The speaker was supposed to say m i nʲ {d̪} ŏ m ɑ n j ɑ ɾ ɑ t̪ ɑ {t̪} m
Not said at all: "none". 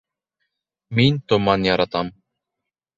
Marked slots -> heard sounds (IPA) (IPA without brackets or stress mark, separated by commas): t̪, none